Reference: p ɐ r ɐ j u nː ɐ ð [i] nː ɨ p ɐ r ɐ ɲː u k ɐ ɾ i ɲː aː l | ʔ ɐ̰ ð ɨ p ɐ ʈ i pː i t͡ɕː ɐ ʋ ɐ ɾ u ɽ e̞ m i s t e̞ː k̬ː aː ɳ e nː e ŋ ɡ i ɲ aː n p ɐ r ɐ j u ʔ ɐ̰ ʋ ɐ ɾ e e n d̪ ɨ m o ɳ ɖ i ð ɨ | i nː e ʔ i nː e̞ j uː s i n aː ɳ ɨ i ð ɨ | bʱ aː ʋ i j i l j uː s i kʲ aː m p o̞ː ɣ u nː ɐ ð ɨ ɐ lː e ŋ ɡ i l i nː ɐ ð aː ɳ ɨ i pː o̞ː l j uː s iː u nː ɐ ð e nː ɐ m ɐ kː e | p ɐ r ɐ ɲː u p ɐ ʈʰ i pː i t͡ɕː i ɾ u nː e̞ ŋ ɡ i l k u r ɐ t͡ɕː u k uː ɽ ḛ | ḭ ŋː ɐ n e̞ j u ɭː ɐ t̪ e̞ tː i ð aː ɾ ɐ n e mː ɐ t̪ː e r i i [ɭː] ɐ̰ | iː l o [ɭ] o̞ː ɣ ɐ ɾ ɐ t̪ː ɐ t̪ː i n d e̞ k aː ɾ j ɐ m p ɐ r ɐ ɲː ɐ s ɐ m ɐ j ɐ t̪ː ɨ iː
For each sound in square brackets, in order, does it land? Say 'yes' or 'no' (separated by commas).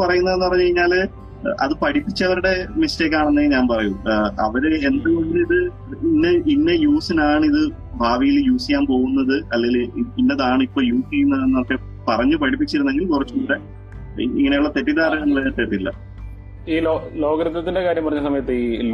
no, no, no